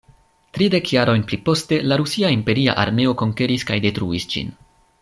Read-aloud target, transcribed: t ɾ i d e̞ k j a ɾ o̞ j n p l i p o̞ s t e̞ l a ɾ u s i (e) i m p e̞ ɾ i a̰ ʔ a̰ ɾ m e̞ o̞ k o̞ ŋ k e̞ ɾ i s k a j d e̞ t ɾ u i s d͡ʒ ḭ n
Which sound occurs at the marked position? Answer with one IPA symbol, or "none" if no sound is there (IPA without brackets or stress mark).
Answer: a